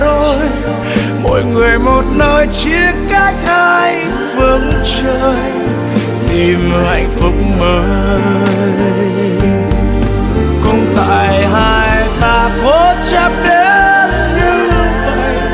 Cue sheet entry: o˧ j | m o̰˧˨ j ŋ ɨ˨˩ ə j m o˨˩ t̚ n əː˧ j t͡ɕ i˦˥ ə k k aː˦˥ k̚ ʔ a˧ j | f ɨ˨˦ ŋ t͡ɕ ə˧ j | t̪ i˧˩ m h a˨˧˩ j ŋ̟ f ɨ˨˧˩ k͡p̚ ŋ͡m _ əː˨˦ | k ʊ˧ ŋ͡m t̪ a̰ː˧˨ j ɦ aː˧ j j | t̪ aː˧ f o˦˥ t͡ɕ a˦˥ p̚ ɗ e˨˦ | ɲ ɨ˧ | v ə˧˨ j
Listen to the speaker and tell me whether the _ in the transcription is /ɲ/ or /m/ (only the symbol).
m